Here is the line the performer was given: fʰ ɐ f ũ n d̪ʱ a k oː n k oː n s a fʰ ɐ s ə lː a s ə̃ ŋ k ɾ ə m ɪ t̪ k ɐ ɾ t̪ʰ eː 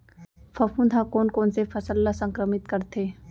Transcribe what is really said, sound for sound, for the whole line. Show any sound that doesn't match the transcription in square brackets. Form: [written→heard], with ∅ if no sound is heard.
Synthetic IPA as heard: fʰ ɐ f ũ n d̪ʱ a k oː n k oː n s [a→e] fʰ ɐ s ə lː a s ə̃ ŋ k ɾ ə m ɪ t̪ k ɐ ɾ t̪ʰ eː